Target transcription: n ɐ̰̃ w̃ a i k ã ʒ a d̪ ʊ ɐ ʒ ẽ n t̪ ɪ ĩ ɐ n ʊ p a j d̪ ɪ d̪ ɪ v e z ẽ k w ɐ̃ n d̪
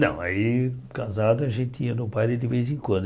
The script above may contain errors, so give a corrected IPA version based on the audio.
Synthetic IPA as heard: n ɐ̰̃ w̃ a i k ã z a d̪ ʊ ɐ ʒ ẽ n t̪ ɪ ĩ ɐ n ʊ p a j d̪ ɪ d̪ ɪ v e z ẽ k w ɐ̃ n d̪